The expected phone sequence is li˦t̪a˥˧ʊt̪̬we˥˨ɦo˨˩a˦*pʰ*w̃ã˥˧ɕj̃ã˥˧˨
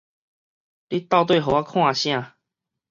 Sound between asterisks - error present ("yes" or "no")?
yes